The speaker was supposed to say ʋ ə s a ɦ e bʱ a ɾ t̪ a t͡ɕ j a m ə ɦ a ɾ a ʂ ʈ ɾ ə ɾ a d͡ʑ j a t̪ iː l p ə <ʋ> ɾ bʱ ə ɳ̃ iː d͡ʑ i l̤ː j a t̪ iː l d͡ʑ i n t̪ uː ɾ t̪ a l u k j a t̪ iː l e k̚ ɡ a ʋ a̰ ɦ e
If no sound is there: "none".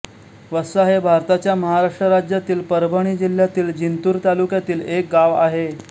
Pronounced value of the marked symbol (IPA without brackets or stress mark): none